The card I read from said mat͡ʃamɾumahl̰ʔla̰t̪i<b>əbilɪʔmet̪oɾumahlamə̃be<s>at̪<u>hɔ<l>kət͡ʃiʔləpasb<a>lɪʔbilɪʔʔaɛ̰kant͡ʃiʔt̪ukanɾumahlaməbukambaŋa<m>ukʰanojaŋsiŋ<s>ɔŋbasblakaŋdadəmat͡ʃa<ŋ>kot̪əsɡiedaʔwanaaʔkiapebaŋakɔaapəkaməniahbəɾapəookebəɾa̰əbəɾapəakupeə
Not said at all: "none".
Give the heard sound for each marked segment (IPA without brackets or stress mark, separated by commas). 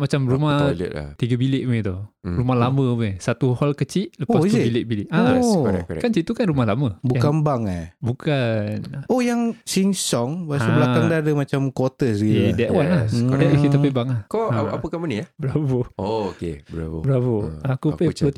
ɡ, s, u, l, i, b, s, m